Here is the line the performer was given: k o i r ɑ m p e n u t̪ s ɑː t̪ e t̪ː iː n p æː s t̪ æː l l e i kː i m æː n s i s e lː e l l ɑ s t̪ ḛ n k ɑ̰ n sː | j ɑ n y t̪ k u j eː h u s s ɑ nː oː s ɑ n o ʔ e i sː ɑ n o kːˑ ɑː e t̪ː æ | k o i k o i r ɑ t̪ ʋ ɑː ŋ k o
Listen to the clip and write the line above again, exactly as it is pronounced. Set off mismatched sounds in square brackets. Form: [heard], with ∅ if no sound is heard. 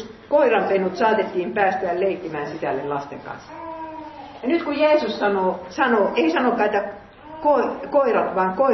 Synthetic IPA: k o i r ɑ m p e n u t̪ s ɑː t̪ e t̪ː iː [m] p æː s t̪ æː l l e i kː i m æː n s i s [æ] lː e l l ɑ s t̪ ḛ [ŋ] k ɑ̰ n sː | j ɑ n y t̪ k u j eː [s] u s s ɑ [n] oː s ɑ n o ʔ e i [s] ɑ n o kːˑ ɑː e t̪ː æ | k o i k o i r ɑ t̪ ʋ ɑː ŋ k o